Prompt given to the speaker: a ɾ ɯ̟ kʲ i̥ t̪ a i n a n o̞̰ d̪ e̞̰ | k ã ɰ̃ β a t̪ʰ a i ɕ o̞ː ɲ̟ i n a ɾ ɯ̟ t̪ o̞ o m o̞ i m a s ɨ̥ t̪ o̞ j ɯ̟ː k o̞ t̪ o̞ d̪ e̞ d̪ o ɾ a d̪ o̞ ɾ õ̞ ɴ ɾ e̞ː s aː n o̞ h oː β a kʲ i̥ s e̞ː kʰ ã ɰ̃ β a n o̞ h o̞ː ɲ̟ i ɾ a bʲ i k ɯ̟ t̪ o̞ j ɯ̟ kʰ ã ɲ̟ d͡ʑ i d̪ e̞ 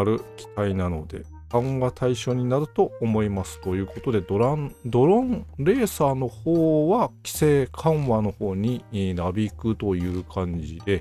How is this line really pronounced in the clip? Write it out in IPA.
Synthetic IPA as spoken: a ɾ ɯ̟ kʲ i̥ t̪ a i n a n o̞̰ d̪ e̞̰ | k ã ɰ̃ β a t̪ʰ a i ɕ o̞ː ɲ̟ i n a ɾ ɯ̟ t̪ o̞ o m o̞ i m a s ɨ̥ t̪ o̞ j ɯ̟ː k o̞ t̪ o̞ d̪ e̞ d̪ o ɾ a d̪ o̞ ɾ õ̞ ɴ ɾ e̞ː s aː n o̞ h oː β a kʲ i̥ s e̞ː kʰ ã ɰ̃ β a n o̞ h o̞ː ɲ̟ i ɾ a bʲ i k ɯ̟ t̪ o̞ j ɯ̟ː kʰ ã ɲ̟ d͡ʑ i d̪ e̞

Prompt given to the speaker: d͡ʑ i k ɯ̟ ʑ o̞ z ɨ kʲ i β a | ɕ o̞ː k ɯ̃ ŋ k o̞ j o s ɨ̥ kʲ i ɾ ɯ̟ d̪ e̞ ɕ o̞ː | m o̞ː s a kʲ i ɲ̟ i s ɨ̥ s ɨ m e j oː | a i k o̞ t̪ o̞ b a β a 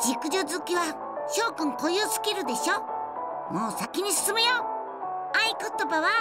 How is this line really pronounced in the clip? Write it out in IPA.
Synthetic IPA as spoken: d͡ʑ i k ɯ̟ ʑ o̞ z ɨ kʲ i β a | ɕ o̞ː k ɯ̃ ŋ k o̞ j o s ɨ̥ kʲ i ɾ ɯ̟ d̪ e̞ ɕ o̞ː | m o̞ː s a kʲ i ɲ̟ i s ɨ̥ s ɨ m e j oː | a i k o̞ t̪ o̞ b a β a

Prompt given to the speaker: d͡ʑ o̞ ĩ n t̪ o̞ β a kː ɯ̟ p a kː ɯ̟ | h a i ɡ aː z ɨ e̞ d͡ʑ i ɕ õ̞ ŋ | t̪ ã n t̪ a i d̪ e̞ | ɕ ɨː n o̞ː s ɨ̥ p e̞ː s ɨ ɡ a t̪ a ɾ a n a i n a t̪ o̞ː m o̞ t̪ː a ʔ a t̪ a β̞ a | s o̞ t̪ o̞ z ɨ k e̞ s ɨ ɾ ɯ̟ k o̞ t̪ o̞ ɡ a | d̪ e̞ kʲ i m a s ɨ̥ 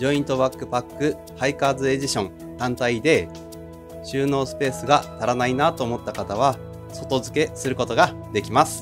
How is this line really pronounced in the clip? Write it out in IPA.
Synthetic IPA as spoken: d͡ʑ o̞ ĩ n t̪ o̞ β a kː ɯ̟ p a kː ɯ̟ | h a i k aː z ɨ e̞ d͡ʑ i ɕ õ̞ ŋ | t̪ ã n t̪ a i d̪ e̞ | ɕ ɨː n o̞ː s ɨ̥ p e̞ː s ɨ ɡ a t̪ a ɾ a n a i n a t̪ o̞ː m o̞ t̪ː a k a t̪ a β̞ a | s o̞ t̪ o̞ z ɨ k e̞ s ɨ ɾ ɯ̟ k o̞ t̪ o̞ ɡ a | d̪ e̞ kʲ i m a s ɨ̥

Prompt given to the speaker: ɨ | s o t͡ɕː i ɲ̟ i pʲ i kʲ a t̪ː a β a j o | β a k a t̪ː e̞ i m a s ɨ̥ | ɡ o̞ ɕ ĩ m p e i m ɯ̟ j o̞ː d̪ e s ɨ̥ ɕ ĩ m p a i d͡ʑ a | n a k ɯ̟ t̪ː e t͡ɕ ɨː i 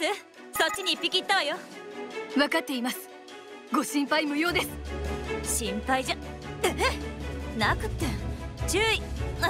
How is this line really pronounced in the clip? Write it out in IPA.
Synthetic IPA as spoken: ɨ | s o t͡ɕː i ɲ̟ i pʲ i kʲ i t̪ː a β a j o | β a k a t̪ː e̞ i m a s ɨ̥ | ɡ o̞ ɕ ĩ m p a i m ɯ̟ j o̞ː d̪ e s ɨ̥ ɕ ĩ m p a i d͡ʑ a | n a k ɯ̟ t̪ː e t͡ɕ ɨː i

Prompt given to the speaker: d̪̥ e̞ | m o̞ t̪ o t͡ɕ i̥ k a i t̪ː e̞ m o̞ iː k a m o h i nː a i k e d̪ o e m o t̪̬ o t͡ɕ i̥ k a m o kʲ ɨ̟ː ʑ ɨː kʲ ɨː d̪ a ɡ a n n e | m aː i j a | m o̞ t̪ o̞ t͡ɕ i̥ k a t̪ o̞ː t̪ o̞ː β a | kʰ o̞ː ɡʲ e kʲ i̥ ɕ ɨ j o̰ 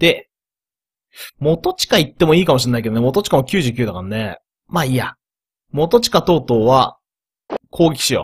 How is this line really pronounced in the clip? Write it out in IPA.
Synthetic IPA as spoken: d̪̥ e̞ | m o̞ t̪ o t͡ɕ i̥ k a i t̪ː e̞ m o̞ iː k a m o ɕ i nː a i k e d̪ o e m o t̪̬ o t͡ɕ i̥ k a m o kʲ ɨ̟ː ʑ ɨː kʲ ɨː d̪ a k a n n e | m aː i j a | m o̞ t̪ o̞ t͡ɕ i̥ k a t̪ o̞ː t̪ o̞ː β a | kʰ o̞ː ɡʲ e kʲ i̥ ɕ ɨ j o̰

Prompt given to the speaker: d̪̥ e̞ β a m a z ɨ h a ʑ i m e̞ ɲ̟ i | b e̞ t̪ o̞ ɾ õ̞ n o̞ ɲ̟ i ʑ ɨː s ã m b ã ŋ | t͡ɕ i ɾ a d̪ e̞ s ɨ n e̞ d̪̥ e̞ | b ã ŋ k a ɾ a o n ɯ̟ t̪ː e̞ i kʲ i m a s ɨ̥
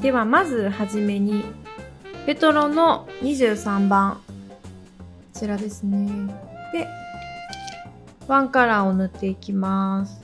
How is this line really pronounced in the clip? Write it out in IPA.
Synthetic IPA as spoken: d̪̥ e̞ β a m a z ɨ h a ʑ i m e̞ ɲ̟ i | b e̞ t̪ o̞ ɾ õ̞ n o̞ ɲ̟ i ʑ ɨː s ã m b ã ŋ | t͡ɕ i ɾ a d̪ e̞ s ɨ n e̞ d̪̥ e̞ | β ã ŋ k a ɾ a o n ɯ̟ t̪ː e̞ i kʲ i m a s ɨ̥

